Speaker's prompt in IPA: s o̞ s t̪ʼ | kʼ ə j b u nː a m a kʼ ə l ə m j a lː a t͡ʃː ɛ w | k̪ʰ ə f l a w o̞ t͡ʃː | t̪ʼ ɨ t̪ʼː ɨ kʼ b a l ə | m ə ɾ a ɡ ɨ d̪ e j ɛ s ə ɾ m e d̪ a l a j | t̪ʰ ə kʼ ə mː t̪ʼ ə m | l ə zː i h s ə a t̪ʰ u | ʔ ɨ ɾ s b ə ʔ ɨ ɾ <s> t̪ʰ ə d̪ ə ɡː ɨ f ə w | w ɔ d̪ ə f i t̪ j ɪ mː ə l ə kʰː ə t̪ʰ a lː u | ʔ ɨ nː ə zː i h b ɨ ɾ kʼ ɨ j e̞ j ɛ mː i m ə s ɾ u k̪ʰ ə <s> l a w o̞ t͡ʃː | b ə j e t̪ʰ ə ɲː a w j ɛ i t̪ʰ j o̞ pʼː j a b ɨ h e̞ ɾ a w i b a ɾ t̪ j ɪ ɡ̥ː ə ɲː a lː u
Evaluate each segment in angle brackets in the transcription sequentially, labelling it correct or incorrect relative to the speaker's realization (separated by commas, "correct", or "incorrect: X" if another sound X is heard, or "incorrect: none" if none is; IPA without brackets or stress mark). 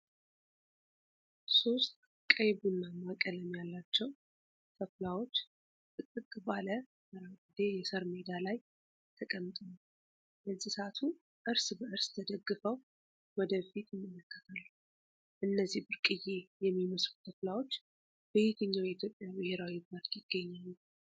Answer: correct, incorrect: f